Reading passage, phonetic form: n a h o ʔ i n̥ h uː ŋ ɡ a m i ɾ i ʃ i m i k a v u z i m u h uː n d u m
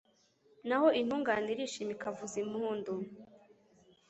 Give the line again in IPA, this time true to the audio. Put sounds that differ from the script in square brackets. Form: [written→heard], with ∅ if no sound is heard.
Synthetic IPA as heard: n a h o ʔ i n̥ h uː ŋ ɡ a [m→n] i ɾ i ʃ i m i k a v u z i m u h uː n d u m